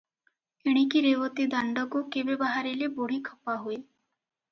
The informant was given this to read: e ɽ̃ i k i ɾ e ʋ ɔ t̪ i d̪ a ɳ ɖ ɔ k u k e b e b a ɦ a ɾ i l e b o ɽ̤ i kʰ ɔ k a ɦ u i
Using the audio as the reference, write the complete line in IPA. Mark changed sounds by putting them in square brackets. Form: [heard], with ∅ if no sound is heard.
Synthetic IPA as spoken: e ɽ̃ i k i ɾ e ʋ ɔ t̪ i d̪ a ɳ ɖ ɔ k u k e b e b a ɦ a ɾ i l e b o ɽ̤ i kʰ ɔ [p] a ɦ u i

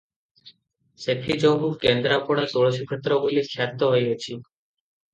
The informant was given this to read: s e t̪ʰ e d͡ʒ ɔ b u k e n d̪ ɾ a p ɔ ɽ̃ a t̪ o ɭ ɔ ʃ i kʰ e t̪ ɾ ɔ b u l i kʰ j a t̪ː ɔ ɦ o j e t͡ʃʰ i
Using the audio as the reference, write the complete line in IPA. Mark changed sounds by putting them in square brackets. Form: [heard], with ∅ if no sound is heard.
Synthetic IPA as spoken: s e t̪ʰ [i] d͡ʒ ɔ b u k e n d̪ ɾ a p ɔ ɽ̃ a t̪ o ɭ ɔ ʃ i kʰ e t̪ ɾ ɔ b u l i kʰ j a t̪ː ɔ ɦ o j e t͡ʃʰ i

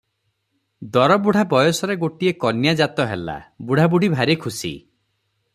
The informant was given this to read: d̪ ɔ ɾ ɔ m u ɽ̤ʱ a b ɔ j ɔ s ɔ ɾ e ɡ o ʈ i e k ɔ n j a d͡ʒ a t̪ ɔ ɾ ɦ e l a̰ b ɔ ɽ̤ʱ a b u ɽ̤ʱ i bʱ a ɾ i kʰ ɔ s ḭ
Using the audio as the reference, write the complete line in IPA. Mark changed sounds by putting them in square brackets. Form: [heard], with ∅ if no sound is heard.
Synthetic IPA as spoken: d̪ ɔ ɾ ɔ [b] u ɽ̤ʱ a b ɔ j ɔ s ɔ ɾ e ɡ o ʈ i e k ɔ n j a d͡ʒ a t̪ ɔ [∅] ɦ e l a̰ b [u] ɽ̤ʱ a b u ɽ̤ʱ i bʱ a ɾ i kʰ [u] s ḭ

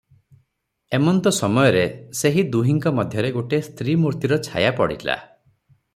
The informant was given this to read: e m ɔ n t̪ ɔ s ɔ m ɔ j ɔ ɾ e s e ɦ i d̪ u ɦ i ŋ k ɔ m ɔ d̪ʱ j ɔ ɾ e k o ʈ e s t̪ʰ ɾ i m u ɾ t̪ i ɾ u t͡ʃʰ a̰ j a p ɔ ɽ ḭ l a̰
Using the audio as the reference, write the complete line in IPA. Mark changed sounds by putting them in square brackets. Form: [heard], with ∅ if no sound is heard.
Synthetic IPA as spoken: e m ɔ n t̪ ɔ s ɔ m ɔ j ɔ ɾ e s e ɦ i d̪ u ɦ i ŋ k ɔ m ɔ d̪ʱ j ɔ ɾ e [ɡ] o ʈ e s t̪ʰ ɾ i m u ɾ t̪ i ɾ [ɔ] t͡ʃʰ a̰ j a p ɔ ɽ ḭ l a̰

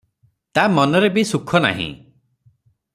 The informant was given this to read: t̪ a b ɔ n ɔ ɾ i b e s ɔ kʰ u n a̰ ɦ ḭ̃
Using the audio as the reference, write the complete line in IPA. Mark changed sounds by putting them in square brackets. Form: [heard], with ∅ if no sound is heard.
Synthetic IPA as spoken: t̪ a [m] ɔ n ɔ ɾ [e] b [i] s [u] kʰ [ɔ] n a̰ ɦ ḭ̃

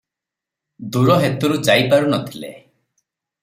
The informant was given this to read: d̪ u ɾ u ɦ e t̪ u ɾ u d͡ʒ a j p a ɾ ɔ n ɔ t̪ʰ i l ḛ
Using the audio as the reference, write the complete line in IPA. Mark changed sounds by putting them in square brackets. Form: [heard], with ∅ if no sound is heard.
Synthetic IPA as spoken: d̪ u ɾ [ɔ] ɦ e t̪ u ɾ u d͡ʒ a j p a ɾ [u] n ɔ t̪ʰ i l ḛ

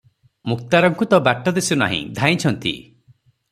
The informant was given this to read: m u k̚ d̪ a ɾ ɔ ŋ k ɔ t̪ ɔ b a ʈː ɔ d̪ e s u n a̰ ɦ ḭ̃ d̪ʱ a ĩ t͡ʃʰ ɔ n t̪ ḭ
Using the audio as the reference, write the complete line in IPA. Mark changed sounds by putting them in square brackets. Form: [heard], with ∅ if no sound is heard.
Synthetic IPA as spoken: m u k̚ [t̪] a ɾ ɔ ŋ k [u] t̪ ɔ b a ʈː ɔ d̪ e s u n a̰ ɦ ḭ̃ d̪ʱ a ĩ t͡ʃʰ ɔ n t̪ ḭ

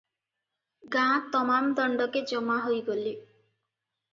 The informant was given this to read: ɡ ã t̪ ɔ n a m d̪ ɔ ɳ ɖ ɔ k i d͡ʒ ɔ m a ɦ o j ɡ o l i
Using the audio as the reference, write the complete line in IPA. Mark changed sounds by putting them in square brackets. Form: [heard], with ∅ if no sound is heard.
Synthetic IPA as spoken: ɡ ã t̪ ɔ [m] a m d̪ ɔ ɳ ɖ ɔ k [e] d͡ʒ ɔ m a ɦ o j ɡ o l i

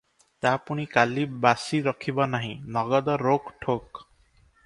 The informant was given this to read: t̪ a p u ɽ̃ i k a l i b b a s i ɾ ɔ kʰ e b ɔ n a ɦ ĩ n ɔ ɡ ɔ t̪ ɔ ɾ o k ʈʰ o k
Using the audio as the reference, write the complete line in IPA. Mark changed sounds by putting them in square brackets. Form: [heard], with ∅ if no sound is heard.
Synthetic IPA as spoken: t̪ a p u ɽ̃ i k a l i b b a s i ɾ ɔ kʰ [i] b ɔ n a ɦ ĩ n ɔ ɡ ɔ [d̪] ɔ ɾ o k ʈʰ o k

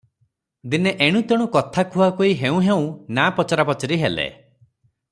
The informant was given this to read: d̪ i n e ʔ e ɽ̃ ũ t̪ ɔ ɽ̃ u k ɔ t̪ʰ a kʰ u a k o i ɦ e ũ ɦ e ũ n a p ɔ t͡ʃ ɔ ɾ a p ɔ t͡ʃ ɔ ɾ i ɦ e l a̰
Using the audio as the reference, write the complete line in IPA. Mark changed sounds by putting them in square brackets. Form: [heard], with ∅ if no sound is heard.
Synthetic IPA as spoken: d̪ i n e ʔ e ɽ̃ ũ t̪ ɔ ɽ̃ u k ɔ t̪ʰ a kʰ u a k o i ɦ e ũ ɦ e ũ n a p ɔ t͡ʃ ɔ ɾ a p ɔ t͡ʃ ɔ ɾ i ɦ e l [ḛ]

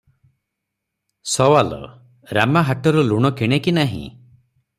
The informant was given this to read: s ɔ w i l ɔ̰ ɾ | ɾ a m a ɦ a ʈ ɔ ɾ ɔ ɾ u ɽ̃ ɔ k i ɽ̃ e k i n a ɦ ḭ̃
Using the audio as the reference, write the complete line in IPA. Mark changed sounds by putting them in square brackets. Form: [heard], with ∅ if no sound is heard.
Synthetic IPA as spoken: s ɔ w [a] l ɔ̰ [∅] | ɾ a m a ɦ a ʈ ɔ ɾ ɔ [l] u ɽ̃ ɔ k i ɽ̃ e k i n a ɦ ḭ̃

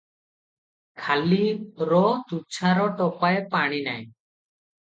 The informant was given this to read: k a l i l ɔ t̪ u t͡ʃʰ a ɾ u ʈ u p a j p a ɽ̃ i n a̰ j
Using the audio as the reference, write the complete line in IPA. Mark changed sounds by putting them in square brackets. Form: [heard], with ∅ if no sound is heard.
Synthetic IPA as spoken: [kʰ] a l i [ɾ] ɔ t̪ u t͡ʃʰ a ɾ [ɔ] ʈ [ɔ] p a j p a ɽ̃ i n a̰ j

